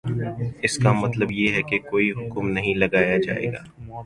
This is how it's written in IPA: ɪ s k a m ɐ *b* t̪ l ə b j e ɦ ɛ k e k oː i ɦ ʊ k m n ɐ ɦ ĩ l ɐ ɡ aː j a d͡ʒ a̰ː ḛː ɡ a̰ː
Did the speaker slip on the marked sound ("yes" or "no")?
yes